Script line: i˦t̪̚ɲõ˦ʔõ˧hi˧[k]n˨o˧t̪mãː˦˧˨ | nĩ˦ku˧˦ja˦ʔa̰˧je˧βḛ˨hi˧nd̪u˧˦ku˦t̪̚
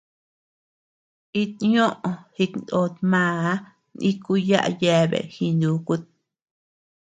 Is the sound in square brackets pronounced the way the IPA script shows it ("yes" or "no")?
yes